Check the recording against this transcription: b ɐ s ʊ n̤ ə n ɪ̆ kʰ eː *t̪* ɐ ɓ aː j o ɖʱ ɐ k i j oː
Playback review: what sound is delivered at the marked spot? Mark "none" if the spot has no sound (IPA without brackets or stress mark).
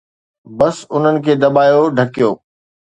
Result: d̪